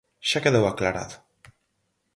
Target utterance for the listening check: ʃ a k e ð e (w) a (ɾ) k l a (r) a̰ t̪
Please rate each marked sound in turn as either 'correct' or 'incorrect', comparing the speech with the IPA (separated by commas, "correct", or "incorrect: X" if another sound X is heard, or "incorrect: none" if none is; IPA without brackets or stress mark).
correct, incorrect: none, incorrect: ɾ